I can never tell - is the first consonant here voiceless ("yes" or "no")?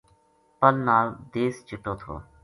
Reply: yes